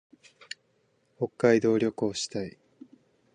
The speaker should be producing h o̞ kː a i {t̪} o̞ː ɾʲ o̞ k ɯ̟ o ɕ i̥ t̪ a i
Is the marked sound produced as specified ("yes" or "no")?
no